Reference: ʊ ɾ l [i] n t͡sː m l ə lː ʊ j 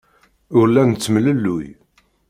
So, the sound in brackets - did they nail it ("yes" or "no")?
no